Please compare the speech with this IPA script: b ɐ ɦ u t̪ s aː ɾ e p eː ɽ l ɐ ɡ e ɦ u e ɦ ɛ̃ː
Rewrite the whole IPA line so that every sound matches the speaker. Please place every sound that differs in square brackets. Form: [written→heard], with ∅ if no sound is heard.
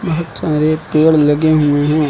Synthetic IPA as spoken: b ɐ ɦ [u→ʊ] t̪ s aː ɾ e p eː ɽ l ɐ ɡ e ɦ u e ɦ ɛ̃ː